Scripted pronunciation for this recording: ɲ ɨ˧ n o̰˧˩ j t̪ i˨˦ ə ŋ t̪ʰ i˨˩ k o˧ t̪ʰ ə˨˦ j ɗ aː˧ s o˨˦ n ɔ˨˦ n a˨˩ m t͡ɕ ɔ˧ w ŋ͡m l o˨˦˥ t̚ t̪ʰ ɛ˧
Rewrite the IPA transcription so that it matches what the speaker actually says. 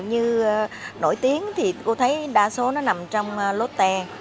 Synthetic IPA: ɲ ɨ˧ n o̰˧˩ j t̪ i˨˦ ə ŋ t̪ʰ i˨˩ k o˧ t̪ʰ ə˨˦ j ɗ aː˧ s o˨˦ n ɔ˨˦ n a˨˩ m t͡ɕ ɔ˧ w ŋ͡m l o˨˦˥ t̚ t̪ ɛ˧